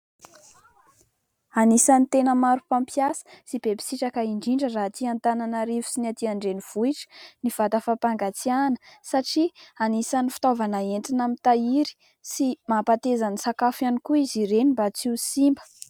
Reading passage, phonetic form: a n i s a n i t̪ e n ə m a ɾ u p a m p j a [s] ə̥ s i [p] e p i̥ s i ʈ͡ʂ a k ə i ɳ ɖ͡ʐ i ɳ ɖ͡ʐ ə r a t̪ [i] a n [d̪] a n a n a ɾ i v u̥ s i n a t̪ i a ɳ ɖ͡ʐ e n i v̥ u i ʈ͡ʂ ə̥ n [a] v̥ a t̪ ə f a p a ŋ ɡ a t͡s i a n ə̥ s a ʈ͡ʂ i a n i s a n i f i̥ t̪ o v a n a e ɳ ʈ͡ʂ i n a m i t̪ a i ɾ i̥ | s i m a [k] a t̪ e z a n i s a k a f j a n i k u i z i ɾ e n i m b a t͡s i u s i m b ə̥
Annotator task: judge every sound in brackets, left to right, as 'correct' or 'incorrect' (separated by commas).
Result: correct, incorrect, correct, incorrect, incorrect, incorrect